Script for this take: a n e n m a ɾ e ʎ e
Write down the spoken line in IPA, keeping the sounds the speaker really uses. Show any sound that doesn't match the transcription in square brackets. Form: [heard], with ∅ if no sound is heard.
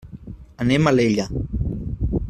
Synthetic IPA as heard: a n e [∅] m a [l] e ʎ [a]